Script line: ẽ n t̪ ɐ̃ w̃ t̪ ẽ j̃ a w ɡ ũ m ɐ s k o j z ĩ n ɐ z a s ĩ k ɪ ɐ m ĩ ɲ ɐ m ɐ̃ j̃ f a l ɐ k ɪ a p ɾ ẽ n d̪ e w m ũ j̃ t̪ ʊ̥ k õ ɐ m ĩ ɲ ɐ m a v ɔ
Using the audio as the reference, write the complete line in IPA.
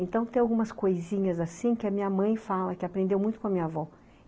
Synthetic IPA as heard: ẽ n t̪ ɐ̃ w̃ t̪ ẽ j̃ a w ɡ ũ m ɐ s k o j z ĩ ɲ ɐ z a s ĩ k ɪ ɐ m ĩ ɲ ɐ m ɐ̃ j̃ f a l ɐ k ɪ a p ɾ ẽ n d̪ e w m ũ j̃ t̪ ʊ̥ k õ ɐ m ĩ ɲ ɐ a v ɔ